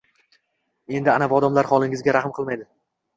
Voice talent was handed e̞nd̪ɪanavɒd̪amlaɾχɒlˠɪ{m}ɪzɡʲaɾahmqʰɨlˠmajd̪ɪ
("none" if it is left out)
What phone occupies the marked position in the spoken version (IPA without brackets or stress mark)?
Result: ŋ